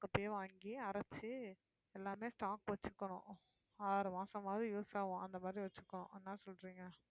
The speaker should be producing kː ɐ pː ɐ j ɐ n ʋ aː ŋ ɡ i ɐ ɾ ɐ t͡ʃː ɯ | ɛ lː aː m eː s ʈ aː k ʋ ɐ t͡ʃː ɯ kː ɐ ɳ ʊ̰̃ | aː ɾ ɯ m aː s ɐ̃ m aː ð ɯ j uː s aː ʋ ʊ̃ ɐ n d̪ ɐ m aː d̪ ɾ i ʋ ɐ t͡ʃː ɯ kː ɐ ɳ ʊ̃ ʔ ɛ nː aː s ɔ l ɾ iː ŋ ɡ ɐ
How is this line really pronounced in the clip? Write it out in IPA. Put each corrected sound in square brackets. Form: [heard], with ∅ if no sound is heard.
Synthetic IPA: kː ɐ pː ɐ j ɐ [∅] ʋ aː ŋ ɡ i ɐ ɾ ɐ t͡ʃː ɯ | ɛ lː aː m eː s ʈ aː k ʋ ɐ t͡ʃː ɯ kː ɐ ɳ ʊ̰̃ | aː ɾ ɯ m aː s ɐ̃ m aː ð ɯ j uː s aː ʋ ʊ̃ ɐ n d̪ ɐ m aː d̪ ɾ i ʋ ɐ t͡ʃː ɯ kː ɐ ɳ ʊ̃ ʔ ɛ nː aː s ɔ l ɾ iː ŋ ɡ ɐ